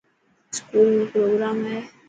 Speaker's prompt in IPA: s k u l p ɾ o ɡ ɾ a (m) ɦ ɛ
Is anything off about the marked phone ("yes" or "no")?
no